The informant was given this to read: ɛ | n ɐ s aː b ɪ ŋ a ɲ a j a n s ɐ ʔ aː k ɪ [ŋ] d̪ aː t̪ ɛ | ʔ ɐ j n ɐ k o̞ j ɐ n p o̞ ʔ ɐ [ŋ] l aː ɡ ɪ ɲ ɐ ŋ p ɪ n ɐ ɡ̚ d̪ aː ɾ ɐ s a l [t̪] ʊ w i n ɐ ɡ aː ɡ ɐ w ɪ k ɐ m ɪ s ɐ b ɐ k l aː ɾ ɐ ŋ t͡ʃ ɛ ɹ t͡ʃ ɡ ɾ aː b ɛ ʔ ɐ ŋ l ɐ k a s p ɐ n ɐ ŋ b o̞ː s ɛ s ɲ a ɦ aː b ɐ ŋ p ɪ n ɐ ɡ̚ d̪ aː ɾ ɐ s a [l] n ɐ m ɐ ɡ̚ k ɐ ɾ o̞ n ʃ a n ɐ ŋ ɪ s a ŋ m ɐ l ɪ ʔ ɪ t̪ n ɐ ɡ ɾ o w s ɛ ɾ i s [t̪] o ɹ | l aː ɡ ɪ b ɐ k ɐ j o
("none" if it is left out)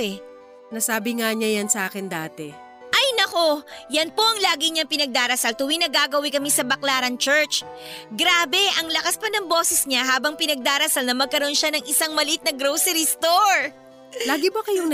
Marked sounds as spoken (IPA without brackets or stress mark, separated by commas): n, ŋ, t̪, l, t̪